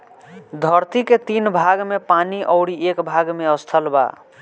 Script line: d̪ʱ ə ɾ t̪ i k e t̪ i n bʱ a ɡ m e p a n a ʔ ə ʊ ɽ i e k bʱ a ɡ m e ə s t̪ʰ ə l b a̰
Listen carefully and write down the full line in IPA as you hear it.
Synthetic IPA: d̪ʱ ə ɾ t̪ i k e t̪ i n bʱ a ɡ m e p a n i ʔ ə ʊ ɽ i e k bʱ a ɡ m e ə s t̪ʰ ə l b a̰